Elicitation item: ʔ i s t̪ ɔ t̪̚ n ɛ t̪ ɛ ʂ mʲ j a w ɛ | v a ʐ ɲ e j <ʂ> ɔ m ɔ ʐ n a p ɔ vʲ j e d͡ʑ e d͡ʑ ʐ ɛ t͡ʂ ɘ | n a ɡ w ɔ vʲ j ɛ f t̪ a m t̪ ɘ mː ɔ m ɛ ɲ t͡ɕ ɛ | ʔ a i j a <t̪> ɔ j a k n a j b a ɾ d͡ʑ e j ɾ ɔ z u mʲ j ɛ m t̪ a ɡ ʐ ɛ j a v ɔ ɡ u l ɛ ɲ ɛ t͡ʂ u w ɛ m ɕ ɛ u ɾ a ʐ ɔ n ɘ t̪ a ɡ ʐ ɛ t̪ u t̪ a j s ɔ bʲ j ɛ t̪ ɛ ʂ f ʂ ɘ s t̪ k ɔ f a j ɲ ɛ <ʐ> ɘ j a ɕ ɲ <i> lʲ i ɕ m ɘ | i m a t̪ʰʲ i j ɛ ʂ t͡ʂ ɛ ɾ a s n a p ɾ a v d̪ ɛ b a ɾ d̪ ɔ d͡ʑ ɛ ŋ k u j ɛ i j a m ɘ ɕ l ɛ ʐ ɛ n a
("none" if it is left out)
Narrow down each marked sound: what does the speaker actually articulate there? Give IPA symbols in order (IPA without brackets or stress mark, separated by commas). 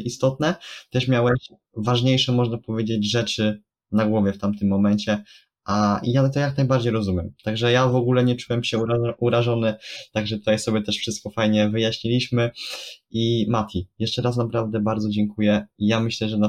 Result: ʂ, t̪, v, i